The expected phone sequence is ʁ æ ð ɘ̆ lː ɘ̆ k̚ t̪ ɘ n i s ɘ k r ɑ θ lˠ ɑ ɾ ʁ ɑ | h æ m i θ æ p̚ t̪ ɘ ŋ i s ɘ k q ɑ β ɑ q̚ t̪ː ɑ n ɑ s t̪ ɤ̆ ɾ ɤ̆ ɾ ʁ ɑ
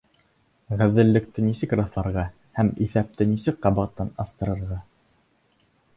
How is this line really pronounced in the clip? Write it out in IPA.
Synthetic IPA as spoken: ʁ æ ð ɘ̆ lː ɘ̆ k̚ t̪ ɘ n i s ɘ k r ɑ θ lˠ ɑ ɾ ʁ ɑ | h æ m i θ æ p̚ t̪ ɘ n i s ɘ k q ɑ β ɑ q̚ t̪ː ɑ n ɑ s t̪ ɤ̆ ɾ ɤ̆ ɾ ʁ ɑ